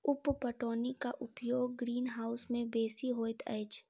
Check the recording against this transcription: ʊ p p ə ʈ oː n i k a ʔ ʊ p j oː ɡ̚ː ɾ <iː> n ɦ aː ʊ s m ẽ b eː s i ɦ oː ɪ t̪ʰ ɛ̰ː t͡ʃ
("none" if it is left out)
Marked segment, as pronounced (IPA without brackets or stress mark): iː